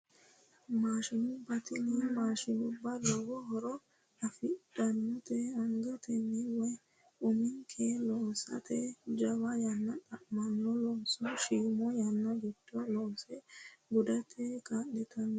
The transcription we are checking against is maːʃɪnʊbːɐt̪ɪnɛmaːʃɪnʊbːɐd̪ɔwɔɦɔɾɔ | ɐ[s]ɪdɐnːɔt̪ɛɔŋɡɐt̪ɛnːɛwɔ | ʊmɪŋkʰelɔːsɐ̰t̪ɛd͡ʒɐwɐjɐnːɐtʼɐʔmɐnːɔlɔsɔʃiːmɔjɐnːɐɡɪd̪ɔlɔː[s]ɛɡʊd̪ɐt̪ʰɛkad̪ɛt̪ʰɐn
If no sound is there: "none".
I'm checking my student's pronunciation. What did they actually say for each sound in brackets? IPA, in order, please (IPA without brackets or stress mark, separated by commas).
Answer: f, s